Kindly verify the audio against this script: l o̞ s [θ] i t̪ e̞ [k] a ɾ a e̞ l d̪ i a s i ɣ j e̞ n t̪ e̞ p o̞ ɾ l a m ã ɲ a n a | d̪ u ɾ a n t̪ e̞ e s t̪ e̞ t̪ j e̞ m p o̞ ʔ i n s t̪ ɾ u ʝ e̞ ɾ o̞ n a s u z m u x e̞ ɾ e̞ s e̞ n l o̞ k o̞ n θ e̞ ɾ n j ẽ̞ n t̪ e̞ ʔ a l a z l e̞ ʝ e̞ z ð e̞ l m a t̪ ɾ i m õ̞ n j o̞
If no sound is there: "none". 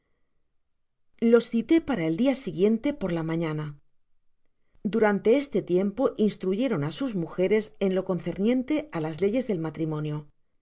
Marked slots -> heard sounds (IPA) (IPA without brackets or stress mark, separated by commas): θ, p